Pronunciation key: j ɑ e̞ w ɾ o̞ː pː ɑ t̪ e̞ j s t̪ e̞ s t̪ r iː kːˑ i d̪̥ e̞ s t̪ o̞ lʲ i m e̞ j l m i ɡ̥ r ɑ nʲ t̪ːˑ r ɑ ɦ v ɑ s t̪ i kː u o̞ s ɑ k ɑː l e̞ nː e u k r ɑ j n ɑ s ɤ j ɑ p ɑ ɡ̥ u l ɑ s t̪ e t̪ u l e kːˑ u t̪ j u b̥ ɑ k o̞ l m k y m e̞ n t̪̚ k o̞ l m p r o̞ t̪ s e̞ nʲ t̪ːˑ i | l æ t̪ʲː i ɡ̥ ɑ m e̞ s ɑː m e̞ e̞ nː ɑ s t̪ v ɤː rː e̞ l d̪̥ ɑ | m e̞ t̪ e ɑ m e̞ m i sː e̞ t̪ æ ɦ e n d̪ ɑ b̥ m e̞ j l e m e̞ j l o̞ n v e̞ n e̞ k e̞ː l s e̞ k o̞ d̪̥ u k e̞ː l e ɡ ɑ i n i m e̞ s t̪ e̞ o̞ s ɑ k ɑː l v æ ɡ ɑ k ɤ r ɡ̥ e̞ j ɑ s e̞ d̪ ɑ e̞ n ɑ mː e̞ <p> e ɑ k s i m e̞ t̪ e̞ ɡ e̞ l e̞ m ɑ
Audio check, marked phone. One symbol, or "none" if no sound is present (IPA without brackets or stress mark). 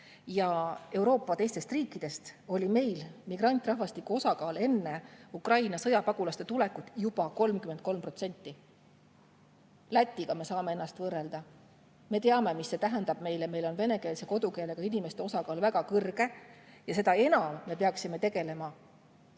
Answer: p